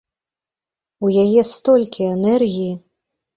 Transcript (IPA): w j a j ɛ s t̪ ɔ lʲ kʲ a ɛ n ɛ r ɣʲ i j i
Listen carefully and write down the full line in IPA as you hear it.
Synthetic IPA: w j a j ɛ s t̪ ɔ lʲ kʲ i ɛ n ɛ r ɣʲ i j i